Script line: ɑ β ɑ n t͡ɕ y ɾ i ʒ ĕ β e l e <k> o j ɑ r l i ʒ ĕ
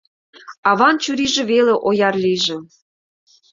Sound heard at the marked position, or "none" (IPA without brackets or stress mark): ʔ